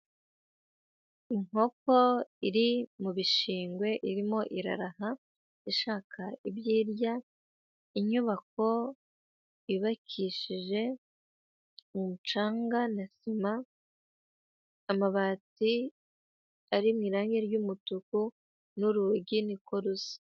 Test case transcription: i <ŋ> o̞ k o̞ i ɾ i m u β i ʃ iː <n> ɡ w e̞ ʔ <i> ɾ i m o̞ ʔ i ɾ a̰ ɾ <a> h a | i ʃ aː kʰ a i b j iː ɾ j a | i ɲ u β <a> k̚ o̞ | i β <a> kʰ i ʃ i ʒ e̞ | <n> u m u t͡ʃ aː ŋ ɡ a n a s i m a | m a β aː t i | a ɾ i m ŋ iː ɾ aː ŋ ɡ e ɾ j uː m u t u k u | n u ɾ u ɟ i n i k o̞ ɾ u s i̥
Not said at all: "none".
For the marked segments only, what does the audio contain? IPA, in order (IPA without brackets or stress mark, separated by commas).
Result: ŋ, ŋ, i, a, a, a, m